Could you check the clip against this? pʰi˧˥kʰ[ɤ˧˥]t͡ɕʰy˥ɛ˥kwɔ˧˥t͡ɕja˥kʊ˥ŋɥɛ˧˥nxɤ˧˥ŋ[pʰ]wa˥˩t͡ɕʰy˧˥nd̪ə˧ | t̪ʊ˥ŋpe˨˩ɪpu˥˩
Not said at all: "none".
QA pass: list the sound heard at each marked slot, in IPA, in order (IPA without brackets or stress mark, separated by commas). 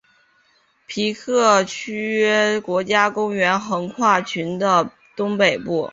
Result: ɤ˥˩, kʰ